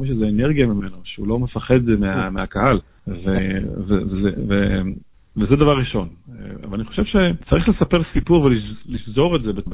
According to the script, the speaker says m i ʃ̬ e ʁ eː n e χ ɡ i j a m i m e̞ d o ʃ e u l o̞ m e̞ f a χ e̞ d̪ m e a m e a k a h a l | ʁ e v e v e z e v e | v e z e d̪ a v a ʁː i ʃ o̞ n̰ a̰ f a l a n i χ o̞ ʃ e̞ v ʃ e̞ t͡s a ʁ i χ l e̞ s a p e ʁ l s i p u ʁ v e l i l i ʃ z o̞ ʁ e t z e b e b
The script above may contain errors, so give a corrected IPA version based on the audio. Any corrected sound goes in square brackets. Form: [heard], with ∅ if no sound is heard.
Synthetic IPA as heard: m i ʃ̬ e [z] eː n e [ʁ] ɡ i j a m i m e̞ [n] o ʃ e u l o̞ m e̞ f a χ e̞ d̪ m e a m e a k a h a l | [v] e v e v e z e v e | v e z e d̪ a v a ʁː i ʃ o̞ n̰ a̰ [v] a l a n i χ o̞ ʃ e̞ v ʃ e̞ t͡s a ʁ i χ l e̞ s a p e ʁ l s i p u ʁ v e l i l i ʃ z o̞ ʁ e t z e b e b